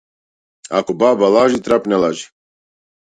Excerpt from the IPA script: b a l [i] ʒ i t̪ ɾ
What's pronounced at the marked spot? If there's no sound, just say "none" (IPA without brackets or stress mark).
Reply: a